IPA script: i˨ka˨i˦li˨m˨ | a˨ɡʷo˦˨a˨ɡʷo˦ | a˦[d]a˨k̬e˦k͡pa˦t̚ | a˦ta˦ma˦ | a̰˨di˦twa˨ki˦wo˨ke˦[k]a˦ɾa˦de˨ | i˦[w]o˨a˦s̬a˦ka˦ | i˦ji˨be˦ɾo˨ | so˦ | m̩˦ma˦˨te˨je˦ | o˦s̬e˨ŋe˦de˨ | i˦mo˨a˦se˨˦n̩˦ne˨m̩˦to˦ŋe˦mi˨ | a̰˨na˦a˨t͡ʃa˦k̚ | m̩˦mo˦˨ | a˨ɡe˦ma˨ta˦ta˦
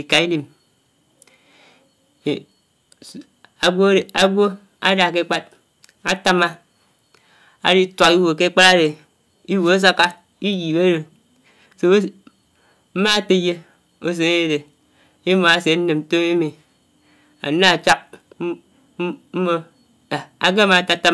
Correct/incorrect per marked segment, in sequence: correct, incorrect: k͡p, correct

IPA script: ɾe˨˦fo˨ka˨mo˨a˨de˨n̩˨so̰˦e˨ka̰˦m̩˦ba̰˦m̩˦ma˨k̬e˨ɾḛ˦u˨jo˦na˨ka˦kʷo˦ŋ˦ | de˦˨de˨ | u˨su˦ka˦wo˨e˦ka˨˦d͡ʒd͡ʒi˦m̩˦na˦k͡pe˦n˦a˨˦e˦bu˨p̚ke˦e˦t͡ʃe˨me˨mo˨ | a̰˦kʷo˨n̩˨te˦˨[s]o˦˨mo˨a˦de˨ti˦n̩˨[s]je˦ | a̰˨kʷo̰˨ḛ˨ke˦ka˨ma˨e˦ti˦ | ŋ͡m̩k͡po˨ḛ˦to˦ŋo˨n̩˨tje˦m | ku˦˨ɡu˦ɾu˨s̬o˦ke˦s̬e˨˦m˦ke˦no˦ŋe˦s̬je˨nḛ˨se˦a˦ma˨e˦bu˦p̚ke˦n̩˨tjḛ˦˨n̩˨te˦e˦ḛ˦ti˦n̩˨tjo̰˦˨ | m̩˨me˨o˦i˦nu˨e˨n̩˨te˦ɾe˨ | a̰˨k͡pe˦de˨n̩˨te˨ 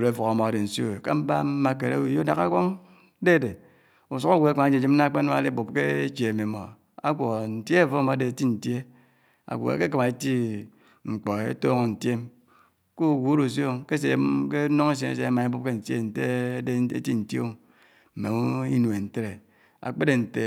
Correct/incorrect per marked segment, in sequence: incorrect: f, incorrect: t

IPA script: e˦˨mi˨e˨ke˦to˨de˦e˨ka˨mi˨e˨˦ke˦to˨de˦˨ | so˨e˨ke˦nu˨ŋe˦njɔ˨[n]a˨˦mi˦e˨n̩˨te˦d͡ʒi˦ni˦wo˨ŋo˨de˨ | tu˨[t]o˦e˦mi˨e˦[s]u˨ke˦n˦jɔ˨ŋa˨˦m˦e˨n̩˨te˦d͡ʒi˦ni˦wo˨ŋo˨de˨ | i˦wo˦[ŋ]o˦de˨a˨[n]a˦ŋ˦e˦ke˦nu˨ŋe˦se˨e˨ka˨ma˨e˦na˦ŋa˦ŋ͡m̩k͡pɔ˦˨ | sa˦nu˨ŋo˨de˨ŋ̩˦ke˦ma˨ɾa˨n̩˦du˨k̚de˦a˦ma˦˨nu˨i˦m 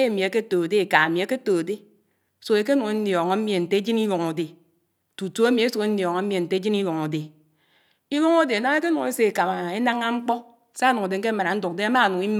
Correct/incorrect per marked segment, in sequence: incorrect: ŋ, correct, correct, correct, correct

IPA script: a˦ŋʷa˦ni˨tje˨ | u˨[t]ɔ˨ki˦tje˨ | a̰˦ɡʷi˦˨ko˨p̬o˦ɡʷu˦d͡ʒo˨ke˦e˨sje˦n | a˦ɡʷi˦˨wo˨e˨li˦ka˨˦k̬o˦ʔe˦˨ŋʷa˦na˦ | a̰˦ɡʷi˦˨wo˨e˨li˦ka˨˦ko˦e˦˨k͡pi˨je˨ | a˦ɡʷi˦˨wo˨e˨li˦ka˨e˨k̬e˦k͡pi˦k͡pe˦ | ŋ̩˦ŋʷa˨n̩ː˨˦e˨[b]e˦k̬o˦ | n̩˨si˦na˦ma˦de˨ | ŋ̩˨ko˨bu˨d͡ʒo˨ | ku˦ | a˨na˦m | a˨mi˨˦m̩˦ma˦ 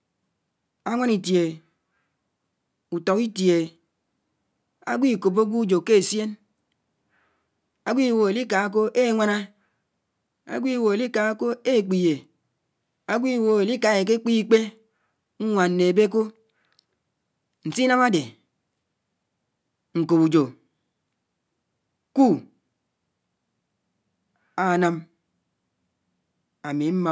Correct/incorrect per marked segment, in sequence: correct, correct

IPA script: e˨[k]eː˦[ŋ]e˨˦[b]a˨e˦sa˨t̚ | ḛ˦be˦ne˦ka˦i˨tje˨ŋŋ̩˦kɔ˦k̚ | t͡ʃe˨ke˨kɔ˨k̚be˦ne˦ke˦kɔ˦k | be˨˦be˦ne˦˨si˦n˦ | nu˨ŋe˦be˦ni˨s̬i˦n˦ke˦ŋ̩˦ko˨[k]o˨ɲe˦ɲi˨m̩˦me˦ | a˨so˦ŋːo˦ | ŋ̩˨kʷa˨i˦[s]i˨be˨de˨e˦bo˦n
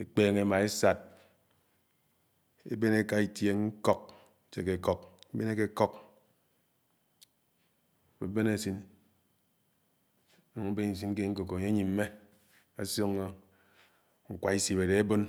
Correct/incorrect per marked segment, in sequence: incorrect: k͡p, correct, incorrect: m, correct, correct

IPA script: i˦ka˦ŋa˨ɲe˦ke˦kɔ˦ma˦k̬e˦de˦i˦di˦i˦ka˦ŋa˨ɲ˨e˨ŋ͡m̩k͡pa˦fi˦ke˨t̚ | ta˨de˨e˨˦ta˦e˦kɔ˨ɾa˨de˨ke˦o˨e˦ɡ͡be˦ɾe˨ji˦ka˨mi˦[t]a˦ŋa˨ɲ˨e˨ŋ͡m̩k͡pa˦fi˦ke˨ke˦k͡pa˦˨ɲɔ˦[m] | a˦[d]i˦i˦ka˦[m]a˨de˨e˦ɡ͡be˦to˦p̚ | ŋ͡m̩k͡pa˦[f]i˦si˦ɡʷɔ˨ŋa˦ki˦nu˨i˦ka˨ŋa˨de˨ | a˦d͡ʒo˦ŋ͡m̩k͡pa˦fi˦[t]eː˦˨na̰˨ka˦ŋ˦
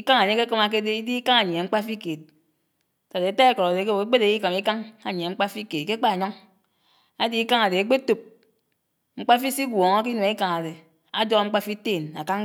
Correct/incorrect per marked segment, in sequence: incorrect: k, incorrect: ŋ, correct, incorrect: ŋ, correct, correct

